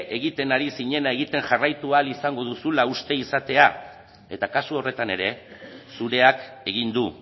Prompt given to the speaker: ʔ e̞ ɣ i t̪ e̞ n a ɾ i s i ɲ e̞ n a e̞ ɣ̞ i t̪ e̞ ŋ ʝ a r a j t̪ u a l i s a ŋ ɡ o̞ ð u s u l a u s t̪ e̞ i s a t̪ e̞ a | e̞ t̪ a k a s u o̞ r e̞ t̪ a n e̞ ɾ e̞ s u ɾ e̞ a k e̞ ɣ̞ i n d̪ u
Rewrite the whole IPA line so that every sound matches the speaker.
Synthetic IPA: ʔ e̞ ɣ i t̪ e̞ n a ɾ i s i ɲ e̞ n a e̞ ɣ̞ i t̪ e̞ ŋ ʝ a r a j t̪ u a l i s a ŋ ɡ o̞ ð u s u l a u s t̪ e̞ i s a t̪ e̞ a | e̞ t̪ a k a s u o̞ r e̞ t̪ a n e̞ ɾ e̞ s u ɾ e̞ a k e̞ ɣ̞ i n d̪ u